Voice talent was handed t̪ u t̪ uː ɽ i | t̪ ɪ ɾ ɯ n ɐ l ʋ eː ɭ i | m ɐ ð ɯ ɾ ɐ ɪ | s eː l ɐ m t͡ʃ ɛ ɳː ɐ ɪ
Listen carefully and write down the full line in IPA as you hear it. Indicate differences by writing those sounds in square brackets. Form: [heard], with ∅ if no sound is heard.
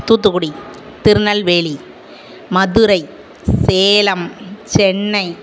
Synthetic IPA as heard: t̪ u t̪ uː ɽ i | t̪ ɪ ɾ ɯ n ɐ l ʋ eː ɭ i | m ɐ ð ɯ ɾ ɐ ɪ | s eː l ɐ m t͡ʃ ɛ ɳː ɐ ɪ